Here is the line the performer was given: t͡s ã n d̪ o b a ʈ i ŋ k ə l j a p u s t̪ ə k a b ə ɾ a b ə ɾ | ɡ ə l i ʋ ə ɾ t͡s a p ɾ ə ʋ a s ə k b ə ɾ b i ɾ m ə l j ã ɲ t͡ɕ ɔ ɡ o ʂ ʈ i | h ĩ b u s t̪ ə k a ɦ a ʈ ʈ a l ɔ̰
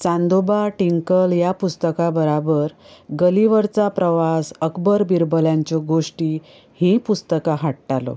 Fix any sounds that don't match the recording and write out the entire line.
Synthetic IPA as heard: t͡s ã n d̪ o b a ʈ i ŋ k ə l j a p u s t̪ ə k a b ə ɾ a b ə ɾ | ɡ ə l i ʋ ə ɾ t͡s a p ɾ ə ʋ a s ə k b ə ɾ b i ɾ b ə l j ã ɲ t͡ɕ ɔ ɡ o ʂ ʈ i | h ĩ p u s t̪ ə k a ɦ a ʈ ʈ a l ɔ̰